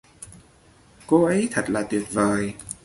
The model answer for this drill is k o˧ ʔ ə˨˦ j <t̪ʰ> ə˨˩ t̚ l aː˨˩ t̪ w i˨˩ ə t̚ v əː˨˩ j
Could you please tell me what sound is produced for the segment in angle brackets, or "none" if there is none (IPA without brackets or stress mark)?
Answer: t̪ʰ